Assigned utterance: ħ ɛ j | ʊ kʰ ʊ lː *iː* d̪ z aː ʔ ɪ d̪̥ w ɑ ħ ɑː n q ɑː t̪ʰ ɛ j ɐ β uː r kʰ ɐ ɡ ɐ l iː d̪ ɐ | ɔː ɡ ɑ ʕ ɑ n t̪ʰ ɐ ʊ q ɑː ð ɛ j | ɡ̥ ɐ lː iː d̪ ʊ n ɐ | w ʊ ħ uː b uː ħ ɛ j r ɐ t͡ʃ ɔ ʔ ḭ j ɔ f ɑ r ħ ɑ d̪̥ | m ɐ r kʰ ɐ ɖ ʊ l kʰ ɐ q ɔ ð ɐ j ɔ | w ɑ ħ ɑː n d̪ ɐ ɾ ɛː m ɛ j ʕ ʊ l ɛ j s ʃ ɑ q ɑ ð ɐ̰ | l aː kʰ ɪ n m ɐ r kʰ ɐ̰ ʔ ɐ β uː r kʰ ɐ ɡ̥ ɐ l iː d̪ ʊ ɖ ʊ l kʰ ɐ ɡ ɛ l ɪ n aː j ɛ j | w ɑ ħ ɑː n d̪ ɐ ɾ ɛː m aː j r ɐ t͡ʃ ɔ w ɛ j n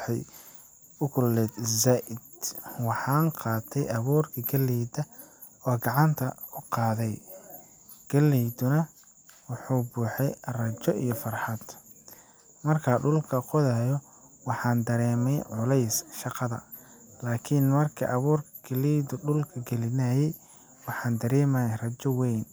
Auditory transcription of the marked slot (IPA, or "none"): ɛː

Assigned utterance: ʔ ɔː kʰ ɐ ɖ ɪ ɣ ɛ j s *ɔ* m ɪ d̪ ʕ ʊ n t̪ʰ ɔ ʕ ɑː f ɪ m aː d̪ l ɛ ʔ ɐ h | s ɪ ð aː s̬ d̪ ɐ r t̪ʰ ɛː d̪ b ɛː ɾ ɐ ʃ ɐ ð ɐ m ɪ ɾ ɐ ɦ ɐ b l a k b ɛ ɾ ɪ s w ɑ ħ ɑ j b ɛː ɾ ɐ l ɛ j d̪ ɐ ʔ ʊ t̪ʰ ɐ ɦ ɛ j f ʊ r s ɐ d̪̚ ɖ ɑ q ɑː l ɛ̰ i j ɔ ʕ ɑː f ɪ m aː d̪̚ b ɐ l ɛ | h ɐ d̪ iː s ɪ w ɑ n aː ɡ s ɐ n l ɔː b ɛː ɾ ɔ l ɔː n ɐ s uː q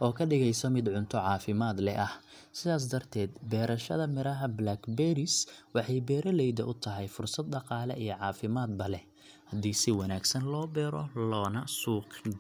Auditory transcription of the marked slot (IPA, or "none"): ɔ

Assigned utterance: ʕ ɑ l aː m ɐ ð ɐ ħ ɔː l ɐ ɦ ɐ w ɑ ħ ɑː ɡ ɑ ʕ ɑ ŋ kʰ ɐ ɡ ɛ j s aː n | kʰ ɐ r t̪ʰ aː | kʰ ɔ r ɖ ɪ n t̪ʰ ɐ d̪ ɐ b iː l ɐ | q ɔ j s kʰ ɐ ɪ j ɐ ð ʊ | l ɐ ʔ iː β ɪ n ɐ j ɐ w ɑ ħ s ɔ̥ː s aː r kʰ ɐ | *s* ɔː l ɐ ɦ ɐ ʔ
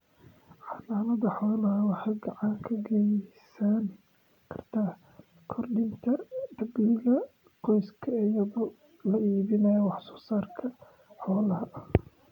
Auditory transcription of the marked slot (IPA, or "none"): ħ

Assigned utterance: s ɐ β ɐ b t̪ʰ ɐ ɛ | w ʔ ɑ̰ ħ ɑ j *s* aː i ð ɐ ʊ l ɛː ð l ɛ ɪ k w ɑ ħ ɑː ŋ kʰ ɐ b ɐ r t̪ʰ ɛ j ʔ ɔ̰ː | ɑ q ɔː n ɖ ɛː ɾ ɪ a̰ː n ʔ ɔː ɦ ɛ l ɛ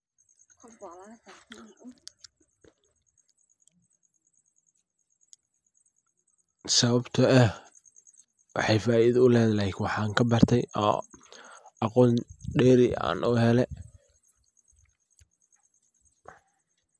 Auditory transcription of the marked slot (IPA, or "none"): f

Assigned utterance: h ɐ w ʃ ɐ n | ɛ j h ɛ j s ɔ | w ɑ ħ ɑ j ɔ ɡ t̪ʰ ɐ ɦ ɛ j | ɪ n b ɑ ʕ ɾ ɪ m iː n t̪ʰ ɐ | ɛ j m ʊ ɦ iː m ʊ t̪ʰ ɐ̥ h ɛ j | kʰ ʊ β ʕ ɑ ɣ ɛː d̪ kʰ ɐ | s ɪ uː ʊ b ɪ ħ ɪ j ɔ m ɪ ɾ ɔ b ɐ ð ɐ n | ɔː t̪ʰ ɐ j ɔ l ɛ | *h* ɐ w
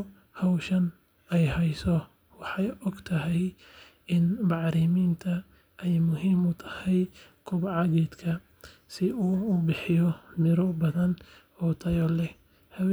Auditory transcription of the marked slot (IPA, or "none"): h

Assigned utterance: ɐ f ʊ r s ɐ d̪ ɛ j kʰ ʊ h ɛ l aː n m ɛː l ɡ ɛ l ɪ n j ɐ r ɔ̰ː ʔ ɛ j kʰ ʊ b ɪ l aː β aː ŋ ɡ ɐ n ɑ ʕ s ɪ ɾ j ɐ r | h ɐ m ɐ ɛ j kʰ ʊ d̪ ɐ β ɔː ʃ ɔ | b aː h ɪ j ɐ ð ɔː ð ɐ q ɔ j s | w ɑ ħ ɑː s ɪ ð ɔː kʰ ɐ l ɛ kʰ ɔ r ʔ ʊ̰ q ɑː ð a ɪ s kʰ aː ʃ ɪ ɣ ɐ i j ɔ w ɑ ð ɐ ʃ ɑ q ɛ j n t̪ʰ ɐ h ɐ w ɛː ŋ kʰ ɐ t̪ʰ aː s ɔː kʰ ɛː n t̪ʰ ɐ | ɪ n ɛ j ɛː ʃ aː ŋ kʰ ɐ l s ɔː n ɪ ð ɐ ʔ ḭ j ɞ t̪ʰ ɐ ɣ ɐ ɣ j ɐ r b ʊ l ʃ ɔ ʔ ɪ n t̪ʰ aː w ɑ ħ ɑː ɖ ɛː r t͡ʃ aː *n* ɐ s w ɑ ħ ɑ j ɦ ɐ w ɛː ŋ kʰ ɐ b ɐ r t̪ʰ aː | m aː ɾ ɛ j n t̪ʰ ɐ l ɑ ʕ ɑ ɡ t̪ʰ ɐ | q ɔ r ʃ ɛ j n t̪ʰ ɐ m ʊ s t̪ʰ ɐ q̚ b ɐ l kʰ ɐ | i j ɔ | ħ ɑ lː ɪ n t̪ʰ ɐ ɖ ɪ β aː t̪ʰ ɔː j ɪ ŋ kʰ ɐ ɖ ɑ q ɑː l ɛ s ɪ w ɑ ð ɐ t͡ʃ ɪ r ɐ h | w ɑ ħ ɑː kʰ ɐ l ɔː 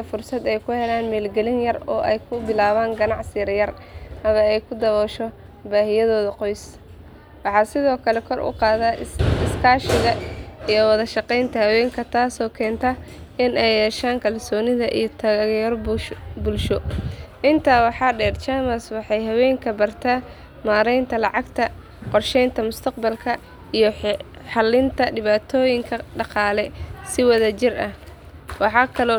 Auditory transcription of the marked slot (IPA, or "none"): m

